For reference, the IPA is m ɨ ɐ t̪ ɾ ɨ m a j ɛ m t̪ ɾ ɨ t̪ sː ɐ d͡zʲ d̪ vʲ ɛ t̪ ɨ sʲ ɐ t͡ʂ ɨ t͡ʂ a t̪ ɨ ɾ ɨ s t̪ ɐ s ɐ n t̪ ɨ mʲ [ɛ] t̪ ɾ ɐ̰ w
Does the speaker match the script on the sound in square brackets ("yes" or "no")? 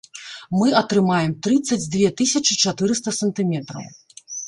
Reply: yes